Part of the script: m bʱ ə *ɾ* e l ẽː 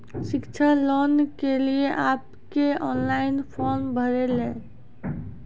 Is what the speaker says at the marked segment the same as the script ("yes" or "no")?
yes